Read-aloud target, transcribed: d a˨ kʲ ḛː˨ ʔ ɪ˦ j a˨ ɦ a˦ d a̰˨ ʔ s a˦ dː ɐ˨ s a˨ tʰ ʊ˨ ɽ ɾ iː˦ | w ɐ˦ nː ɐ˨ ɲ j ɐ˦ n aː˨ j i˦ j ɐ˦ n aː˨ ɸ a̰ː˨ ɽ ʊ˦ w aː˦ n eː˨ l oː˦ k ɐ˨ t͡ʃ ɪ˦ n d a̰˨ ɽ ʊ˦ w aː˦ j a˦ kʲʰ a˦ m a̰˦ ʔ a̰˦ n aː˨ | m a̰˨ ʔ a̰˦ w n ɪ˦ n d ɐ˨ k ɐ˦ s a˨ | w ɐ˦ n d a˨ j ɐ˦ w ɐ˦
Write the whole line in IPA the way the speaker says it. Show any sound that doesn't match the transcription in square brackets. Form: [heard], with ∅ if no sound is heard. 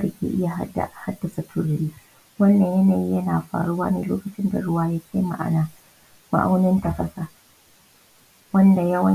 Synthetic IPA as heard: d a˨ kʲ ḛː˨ ʔ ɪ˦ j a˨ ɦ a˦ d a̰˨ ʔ [h] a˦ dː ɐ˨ s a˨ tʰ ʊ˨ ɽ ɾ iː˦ | w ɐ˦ nː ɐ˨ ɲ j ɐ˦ n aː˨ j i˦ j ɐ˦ n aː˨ ɸ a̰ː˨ ɽ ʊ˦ w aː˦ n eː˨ l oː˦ k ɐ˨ t͡ʃ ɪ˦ n d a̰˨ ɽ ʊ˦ w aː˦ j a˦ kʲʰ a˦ m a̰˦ ʔ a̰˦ n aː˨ | m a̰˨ ʔ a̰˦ w n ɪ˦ n [t] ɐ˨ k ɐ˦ s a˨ | w ɐ˦ n d a˨ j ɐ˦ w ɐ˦